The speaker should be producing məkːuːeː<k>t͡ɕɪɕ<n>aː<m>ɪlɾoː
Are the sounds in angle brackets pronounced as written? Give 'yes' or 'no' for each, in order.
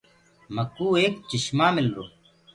yes, no, yes

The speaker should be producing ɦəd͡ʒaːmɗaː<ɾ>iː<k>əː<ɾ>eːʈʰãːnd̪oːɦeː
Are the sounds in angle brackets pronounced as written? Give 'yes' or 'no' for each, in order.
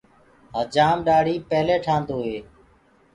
no, no, no

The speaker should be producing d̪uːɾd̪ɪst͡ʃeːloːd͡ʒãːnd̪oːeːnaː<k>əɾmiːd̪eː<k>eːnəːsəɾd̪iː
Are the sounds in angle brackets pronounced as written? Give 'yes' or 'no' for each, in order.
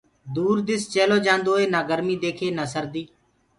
no, no

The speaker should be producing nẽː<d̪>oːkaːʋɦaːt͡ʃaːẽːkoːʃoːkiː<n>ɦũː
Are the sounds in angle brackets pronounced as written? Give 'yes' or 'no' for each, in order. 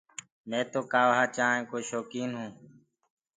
no, yes

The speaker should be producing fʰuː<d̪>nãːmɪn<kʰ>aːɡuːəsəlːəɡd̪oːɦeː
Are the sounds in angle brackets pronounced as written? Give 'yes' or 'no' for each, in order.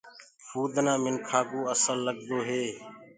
yes, yes

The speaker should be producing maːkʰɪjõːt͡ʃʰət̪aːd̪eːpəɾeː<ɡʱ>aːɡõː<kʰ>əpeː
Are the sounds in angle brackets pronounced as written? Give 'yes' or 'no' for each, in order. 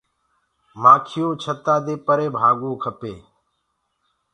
no, yes

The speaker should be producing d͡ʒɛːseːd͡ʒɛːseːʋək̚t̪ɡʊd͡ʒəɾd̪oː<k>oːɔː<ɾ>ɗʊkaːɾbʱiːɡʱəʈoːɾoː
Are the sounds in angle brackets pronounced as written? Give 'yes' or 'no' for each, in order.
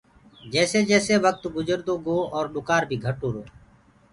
no, yes

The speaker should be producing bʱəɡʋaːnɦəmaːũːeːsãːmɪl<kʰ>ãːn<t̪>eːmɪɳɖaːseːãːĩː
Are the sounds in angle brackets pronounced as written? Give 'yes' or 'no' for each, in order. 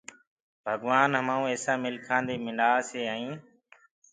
yes, no

